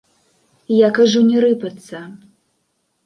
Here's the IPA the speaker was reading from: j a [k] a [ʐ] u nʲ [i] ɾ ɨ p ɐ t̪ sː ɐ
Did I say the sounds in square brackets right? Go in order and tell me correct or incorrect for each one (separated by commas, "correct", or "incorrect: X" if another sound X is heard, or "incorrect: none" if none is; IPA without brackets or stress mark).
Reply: correct, correct, incorrect: ɛ